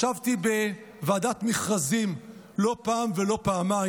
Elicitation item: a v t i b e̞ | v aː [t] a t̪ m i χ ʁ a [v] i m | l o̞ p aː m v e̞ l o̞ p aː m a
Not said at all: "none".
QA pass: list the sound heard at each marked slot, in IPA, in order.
d, z

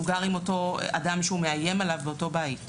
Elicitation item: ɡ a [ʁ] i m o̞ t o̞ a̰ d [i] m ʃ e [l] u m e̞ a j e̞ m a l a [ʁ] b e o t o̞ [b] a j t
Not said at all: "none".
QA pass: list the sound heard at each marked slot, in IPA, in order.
ʁ, a, none, v, b

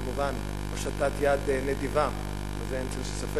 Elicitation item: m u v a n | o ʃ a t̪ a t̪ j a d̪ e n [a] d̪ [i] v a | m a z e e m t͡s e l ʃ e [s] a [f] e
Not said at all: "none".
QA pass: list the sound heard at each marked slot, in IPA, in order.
e, i, s, f

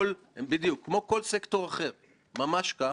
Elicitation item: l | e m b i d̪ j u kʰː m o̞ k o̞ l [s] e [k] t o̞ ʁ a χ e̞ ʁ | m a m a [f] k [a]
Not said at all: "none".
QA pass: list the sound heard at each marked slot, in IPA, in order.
s, k, ʃ, a

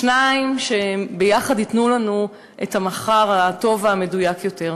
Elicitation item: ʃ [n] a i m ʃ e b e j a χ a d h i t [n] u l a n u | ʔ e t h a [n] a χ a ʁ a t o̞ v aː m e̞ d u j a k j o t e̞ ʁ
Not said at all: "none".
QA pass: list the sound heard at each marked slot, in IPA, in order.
n, n, m

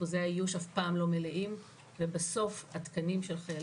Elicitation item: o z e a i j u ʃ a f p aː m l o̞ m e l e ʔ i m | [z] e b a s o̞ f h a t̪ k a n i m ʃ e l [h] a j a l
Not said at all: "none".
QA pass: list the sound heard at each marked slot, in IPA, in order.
v, χ

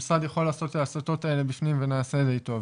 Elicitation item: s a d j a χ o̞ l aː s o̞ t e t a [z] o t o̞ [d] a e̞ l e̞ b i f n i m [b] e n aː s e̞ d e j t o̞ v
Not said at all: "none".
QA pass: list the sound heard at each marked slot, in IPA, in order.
s, t, v

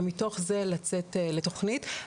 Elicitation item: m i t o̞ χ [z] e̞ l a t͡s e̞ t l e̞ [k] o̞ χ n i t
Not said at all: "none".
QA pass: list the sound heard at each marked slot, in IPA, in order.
z, t

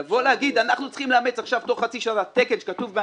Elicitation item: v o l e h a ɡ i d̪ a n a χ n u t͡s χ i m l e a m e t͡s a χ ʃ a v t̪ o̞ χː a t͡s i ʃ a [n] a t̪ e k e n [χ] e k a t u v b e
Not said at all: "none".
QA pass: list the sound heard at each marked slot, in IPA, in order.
n, ʃ

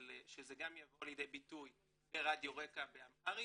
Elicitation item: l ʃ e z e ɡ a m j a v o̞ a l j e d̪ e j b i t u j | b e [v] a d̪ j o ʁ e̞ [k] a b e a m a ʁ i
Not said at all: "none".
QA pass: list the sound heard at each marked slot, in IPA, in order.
ʁ, k

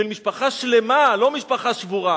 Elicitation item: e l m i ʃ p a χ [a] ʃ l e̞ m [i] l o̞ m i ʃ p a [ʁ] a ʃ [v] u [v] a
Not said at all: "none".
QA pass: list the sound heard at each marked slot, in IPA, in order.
a, a, χ, v, ʁ

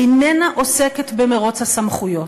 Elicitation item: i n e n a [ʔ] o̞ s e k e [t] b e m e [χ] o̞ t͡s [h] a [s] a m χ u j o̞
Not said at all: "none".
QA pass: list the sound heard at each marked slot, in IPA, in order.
ʔ, t, ʁ, h, s

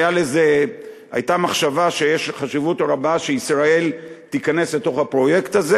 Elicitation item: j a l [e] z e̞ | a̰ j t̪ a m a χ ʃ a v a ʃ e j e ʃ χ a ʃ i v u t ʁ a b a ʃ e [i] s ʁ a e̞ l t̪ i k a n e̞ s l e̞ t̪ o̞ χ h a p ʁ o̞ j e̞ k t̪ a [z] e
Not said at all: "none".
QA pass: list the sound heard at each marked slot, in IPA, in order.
e, i, z

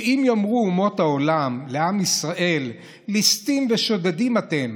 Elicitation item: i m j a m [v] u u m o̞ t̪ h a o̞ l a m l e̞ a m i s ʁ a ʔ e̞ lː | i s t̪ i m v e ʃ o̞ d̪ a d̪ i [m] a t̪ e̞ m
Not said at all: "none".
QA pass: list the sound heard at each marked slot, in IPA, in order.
ʁ, m

